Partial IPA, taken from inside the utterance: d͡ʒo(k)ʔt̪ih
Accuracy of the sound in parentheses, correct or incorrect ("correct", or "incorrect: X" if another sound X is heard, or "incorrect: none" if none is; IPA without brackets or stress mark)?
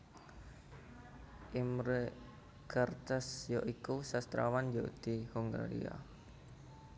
incorrect: none